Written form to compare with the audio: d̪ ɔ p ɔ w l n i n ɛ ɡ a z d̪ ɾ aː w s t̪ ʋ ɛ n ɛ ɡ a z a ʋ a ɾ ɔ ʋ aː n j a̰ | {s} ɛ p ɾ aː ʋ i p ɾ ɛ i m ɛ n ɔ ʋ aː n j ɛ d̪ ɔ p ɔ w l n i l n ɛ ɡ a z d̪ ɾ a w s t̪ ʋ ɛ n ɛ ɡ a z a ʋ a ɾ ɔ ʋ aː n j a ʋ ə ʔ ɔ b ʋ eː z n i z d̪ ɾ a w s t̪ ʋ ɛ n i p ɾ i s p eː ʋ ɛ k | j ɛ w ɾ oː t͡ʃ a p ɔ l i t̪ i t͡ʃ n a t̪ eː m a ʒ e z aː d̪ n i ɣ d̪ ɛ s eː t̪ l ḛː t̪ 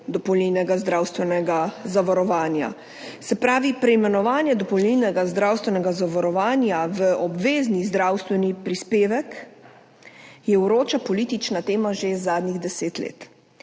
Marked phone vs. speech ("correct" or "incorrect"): correct